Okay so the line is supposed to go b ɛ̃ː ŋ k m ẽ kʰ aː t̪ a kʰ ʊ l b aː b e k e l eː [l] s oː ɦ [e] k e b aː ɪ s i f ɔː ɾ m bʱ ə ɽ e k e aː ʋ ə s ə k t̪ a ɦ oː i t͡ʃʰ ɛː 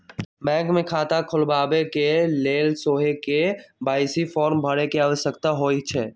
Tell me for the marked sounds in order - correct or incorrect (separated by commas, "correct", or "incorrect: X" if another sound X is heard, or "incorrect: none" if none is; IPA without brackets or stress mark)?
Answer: correct, correct